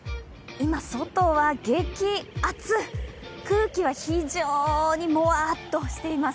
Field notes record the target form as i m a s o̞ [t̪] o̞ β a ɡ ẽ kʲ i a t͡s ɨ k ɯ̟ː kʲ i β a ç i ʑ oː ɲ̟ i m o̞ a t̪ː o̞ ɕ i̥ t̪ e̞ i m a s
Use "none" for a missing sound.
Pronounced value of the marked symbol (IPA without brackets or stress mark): t̪